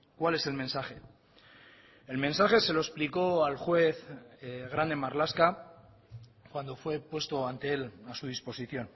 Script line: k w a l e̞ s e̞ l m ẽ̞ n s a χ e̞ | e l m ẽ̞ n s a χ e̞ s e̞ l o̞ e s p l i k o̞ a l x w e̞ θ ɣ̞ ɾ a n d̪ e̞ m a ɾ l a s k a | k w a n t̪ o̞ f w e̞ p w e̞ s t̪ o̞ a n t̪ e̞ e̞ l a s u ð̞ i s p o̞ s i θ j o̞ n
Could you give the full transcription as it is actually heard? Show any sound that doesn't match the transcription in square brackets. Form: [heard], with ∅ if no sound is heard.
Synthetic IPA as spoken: k w a l e̞ s e̞ l m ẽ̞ n s a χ e̞ | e l m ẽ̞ n s a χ e̞ s e̞ l o̞ e s p l i k o̞ a l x w e̞ θ ɣ̞ ɾ a n d̪ e̞ m a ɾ l a s k a | k w a n [d̪] o̞ f w e̞ p w e̞ s t̪ o̞ a n t̪ e̞ e̞ l a s u ð̞ i s p o̞ s i θ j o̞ n